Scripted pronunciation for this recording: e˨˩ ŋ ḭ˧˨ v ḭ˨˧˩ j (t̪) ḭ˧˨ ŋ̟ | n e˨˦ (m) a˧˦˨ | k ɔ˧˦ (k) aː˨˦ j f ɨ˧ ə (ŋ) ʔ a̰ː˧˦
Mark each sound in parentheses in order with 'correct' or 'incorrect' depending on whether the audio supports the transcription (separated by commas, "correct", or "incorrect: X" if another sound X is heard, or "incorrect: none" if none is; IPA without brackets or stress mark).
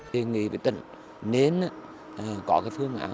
correct, incorrect: n, correct, correct